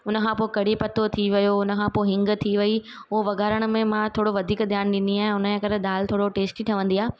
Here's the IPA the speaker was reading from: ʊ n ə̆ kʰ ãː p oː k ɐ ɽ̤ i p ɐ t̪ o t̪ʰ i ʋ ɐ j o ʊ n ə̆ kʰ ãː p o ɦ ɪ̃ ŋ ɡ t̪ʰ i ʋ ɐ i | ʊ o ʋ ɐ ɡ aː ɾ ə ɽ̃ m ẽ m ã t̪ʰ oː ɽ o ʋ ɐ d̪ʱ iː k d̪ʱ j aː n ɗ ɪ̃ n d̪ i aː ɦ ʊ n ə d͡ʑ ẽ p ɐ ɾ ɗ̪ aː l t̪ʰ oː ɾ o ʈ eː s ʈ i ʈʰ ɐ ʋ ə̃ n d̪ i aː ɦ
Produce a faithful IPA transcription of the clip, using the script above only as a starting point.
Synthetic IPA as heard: ʊ n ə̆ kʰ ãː p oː k ɐ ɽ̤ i p ɐ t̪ o t̪ʰ i ʋ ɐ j o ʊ n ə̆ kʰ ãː p o ɦ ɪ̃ ŋ ɡ t̪ʰ i ʋ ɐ i | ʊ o ʋ ɐ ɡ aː ɾ ə ɽ̃ m ẽ m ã t̪ʰ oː ɽ o ʋ ɐ d̪ʱ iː k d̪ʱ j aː n ɗ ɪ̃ n d̪ i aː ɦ ʊ n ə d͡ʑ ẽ k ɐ ɾ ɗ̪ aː l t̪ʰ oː ɽ o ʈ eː s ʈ i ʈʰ ɐ ʋ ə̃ n d̪ i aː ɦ